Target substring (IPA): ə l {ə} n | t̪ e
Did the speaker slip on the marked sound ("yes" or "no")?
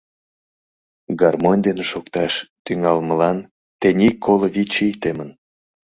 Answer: yes